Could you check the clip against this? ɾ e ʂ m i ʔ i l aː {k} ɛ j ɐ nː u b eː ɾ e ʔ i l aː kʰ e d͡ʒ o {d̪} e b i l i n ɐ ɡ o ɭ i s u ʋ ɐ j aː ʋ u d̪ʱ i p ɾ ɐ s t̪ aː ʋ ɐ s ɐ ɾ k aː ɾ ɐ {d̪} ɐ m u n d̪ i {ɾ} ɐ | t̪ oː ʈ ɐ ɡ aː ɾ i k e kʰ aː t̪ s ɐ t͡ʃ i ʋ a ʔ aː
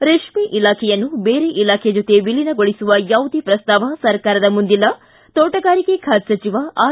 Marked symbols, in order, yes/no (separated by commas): no, no, yes, no